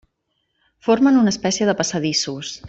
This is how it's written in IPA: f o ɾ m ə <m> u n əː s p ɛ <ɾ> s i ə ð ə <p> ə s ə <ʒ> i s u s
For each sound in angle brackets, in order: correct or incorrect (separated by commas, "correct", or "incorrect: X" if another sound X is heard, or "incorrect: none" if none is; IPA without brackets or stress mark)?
incorrect: n, incorrect: none, correct, incorrect: ð